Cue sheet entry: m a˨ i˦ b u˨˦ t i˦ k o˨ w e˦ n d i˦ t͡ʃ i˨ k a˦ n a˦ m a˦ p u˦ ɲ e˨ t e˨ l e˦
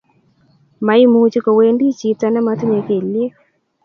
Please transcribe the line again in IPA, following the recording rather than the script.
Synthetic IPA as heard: m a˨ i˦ m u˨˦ t͡ʃ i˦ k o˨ w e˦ n d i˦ t͡ʃ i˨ t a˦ n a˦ m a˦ t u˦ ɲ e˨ k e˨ l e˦